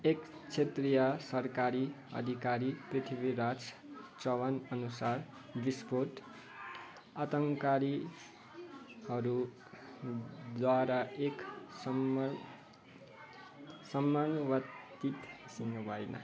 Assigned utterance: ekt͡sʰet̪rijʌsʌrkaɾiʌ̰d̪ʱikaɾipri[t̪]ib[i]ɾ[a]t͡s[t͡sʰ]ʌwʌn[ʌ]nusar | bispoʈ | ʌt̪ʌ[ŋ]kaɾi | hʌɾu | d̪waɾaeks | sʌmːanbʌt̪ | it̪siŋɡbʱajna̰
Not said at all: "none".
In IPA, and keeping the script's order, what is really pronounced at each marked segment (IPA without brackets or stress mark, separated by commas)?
t̪ʰ, i, a, t͡s, ʌ, ŋ